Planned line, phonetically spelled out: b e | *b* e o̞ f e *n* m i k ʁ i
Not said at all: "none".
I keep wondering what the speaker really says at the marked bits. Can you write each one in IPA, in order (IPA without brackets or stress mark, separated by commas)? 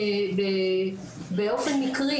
b, n